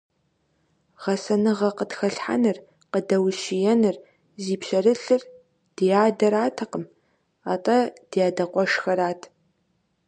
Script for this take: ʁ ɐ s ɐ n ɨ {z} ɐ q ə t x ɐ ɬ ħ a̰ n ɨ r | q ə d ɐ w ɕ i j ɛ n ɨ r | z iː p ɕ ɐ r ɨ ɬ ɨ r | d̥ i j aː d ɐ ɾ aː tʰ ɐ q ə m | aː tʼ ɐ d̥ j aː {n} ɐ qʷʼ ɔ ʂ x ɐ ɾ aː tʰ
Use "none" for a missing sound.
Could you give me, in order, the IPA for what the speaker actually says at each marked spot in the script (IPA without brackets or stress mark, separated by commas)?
ʁ, d